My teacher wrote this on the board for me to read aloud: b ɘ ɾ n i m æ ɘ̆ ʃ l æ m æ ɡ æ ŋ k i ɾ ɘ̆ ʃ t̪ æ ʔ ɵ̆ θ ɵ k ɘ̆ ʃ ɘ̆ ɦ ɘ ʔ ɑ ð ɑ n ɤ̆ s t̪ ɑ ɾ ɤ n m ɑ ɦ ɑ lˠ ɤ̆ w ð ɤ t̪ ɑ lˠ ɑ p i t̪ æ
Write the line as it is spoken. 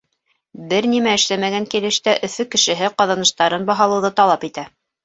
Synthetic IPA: b ɘ ɾ n i m æ ɘ̆ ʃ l æ m æ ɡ æ ŋ k i l ɘ̆ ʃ t̪ æ ʔ ɵ̆ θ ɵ k ɘ̆ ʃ ɘ̆ ɦ ɘ q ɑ ð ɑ n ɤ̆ ʃ t̪ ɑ ɾ ɤ n b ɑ ɦ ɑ lˠ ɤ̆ w ð ɤ t̪ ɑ lˠ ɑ p i t̪ æ